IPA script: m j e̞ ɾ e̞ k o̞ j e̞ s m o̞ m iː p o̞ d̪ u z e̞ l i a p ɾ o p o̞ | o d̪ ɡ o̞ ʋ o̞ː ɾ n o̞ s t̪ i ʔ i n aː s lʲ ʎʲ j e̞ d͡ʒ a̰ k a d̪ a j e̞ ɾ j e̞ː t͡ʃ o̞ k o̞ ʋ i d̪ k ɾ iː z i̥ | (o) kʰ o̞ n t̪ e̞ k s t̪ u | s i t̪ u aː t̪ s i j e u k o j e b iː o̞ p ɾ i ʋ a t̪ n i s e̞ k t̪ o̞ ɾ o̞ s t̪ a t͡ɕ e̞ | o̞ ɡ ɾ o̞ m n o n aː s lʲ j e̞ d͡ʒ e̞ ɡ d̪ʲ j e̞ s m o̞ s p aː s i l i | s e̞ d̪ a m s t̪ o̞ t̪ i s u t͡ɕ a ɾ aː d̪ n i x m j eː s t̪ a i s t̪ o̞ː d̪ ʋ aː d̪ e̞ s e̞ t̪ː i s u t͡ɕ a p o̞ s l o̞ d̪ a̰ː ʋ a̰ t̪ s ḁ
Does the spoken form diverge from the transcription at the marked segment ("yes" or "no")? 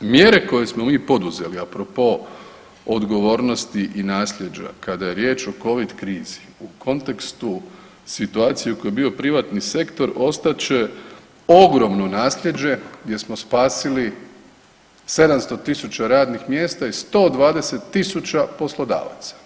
yes